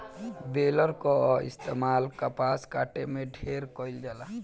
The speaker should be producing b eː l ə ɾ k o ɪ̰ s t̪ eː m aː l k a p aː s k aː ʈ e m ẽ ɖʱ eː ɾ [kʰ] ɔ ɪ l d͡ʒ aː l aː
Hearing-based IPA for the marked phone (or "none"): k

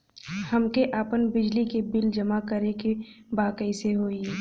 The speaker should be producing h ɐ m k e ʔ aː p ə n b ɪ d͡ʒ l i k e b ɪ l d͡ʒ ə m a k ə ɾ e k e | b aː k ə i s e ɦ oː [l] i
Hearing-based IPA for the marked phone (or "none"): none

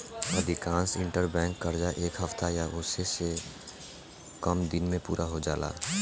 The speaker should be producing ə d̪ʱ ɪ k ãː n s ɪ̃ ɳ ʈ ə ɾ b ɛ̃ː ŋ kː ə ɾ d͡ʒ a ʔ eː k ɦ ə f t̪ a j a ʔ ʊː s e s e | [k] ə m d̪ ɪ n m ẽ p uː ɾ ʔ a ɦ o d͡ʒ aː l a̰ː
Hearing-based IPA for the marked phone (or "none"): k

